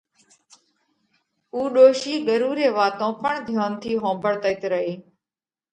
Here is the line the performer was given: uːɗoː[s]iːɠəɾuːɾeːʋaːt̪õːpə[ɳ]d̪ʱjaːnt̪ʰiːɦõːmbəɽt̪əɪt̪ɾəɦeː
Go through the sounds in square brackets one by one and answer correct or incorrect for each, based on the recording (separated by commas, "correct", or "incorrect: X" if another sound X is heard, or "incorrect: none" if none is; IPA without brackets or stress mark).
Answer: incorrect: ʃ, correct